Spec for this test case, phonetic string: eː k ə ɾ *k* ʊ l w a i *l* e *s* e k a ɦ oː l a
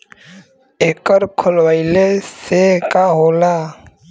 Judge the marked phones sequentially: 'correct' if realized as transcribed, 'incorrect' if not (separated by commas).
incorrect, correct, correct